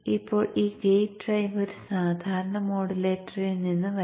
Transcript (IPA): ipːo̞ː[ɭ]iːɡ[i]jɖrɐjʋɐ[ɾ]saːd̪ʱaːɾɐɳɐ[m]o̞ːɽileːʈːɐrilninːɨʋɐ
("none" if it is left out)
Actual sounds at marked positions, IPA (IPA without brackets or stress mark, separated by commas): ɭ, e, ɾ, m